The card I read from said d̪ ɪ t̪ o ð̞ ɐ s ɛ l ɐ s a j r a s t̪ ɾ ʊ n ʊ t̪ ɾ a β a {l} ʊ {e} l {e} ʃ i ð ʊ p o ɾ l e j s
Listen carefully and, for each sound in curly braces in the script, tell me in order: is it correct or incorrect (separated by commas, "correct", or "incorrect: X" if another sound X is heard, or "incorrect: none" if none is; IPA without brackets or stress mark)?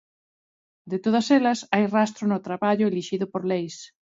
incorrect: ʎ, correct, incorrect: i